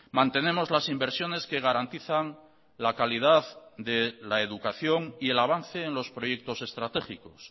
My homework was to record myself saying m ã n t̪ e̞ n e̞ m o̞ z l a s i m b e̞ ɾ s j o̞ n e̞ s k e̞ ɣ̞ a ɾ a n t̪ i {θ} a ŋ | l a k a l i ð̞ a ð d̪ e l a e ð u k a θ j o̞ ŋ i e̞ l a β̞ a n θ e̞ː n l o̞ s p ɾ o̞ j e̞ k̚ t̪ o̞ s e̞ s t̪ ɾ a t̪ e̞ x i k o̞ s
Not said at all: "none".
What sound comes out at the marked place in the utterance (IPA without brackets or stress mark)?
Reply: θ